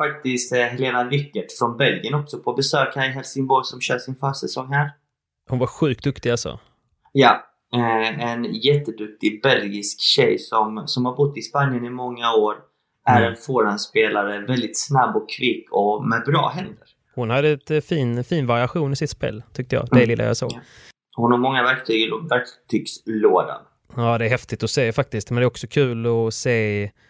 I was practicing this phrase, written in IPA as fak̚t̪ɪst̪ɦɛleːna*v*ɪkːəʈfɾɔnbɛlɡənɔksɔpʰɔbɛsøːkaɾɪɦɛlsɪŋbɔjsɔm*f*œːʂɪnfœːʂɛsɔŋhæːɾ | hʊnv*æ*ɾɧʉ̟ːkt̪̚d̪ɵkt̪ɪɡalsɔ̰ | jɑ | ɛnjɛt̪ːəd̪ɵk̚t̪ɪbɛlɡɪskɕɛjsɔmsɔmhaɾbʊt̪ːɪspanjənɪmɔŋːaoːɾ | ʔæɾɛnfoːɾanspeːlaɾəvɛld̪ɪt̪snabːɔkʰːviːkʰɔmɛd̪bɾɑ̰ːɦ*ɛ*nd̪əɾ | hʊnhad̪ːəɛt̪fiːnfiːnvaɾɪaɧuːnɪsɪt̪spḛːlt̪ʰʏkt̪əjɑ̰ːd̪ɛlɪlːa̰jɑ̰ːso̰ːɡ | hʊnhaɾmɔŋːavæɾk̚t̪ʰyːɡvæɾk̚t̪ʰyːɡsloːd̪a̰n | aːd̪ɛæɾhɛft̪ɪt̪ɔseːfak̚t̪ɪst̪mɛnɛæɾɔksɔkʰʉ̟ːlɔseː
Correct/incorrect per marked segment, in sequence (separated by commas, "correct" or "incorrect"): correct, incorrect, incorrect, correct